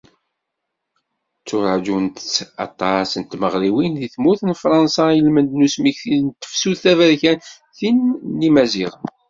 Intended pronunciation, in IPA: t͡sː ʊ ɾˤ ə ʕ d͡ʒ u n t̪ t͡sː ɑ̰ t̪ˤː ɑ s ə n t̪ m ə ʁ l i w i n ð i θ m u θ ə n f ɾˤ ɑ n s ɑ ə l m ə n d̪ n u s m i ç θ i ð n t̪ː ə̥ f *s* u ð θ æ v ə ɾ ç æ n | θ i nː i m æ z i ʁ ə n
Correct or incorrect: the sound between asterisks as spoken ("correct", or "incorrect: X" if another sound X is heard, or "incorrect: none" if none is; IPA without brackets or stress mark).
correct